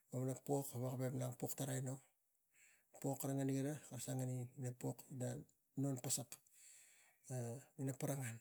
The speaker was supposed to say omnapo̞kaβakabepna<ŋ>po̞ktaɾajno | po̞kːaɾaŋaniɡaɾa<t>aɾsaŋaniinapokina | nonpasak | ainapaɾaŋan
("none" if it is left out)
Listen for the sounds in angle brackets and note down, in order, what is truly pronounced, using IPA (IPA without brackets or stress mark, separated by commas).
ŋ, k